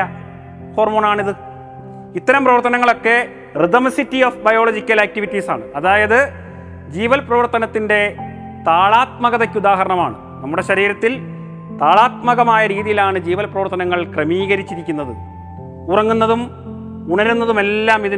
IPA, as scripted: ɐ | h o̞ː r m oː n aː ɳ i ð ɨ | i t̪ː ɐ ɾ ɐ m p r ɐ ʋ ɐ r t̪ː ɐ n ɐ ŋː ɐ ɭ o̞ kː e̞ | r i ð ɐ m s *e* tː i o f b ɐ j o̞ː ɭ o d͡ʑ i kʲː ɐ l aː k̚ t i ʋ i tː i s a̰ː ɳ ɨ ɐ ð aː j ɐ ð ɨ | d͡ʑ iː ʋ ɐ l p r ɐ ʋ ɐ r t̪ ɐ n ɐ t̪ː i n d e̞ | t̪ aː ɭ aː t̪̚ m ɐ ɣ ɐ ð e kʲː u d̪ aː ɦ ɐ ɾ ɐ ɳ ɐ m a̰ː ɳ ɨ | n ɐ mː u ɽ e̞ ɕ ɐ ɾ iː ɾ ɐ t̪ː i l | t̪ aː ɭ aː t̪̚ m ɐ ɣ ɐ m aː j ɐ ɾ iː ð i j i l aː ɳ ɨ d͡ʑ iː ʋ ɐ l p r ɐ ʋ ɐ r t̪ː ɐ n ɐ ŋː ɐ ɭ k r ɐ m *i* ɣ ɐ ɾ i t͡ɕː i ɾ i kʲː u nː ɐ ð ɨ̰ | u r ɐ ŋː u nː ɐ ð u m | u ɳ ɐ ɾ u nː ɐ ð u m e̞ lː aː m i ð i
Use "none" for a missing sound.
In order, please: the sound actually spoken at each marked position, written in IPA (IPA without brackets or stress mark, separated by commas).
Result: i, iː